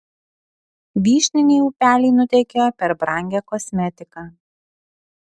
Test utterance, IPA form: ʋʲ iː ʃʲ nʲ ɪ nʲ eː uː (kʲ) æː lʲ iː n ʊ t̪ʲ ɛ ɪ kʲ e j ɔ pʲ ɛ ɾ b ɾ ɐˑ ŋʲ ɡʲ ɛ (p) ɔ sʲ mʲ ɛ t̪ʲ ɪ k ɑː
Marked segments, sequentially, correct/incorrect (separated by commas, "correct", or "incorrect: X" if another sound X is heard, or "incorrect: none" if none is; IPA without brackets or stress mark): incorrect: pʲ, incorrect: k